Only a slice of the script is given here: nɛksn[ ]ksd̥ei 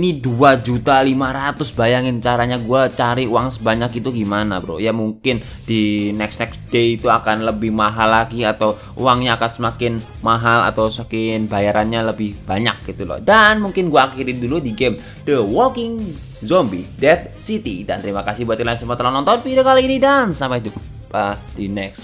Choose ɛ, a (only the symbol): ɛ